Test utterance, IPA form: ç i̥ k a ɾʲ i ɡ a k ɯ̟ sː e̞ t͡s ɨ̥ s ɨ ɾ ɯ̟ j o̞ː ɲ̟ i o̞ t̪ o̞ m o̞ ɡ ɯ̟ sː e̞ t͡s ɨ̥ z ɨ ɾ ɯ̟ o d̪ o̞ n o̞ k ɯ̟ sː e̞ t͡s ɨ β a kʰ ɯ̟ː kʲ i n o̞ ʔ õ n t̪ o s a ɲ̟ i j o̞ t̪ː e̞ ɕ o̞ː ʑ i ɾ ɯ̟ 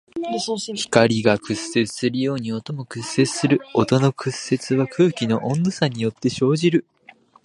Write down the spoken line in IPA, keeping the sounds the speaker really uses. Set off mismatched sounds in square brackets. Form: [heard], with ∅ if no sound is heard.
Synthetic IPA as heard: ç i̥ k a ɾʲ i ɡ a k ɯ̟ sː e̞ t͡s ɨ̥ s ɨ ɾ ɯ̟ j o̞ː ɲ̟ i o̞ t̪ o̞ m o̞ [k] ɯ̟ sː e̞ t͡s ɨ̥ [s] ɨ ɾ ɯ̟ o [t̪] o̞ n o̞ k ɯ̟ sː e̞ t͡s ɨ β a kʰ ɯ̟ː kʲ i n o̞ ʔ õ n [d̪] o s a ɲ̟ i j o̞ t̪ː e̞ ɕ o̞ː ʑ i ɾ ɯ̟